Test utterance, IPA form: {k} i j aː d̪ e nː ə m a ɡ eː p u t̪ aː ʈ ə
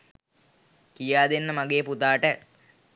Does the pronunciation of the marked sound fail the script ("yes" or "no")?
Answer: no